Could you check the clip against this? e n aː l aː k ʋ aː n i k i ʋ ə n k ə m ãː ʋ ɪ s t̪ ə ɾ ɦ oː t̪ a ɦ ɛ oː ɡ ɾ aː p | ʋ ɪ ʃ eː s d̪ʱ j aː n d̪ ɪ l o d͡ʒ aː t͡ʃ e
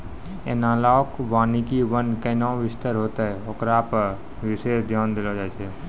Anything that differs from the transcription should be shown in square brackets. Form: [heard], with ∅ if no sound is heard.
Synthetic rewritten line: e n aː l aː k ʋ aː n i k i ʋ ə n k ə [n] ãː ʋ ɪ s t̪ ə ɾ ɦ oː t̪ a ɦ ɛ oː [k] ɾ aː p | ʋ ɪ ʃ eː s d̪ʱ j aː n d̪ ɪ l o d͡ʒ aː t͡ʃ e